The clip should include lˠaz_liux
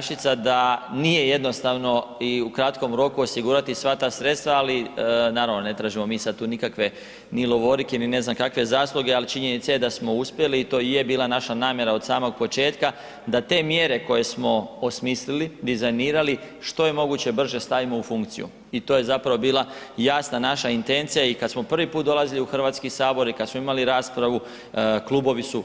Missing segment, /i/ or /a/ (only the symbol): i